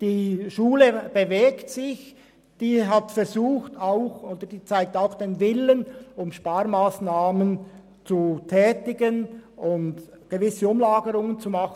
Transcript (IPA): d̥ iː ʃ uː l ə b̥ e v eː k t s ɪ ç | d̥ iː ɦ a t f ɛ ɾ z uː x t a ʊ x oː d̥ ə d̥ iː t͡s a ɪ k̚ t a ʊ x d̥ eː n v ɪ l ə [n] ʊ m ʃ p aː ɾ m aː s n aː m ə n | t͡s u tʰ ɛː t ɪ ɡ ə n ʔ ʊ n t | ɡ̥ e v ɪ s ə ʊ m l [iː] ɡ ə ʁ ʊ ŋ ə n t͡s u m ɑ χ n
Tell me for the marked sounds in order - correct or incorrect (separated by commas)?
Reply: correct, incorrect